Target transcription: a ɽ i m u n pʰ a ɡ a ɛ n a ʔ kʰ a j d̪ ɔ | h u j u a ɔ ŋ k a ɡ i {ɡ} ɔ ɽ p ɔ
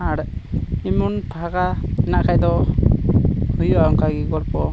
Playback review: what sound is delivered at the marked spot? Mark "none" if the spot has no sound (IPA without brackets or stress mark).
ɡ